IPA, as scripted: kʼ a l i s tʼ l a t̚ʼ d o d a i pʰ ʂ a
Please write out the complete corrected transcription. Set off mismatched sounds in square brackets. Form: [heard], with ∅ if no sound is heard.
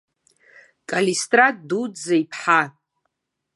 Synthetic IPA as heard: kʼ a l i s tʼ [r] a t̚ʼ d [u] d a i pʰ [ħ] a